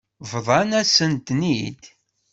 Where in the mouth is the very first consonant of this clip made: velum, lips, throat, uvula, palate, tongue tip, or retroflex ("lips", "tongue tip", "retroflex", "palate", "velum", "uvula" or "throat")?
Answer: lips